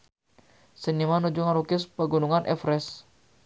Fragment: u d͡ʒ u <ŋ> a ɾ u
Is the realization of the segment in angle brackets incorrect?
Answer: no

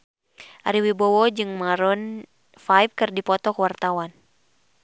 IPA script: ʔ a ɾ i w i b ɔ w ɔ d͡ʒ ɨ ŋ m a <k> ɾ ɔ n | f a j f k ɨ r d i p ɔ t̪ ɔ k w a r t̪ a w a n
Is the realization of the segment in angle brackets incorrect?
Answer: yes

